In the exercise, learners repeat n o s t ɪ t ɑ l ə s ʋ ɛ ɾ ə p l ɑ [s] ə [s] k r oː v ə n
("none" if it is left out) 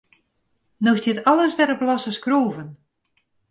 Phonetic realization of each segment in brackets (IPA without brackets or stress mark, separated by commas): s, s